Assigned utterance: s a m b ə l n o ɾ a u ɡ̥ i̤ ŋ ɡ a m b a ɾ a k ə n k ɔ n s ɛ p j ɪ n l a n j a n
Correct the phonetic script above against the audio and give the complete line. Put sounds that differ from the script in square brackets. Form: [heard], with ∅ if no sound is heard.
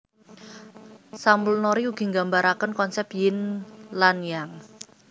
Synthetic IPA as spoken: s a m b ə l n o ɾ [i] u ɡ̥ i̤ ŋ ɡ a m b a ɾ a k ə n k ɔ n s ɛ p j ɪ n l a n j a [ŋ]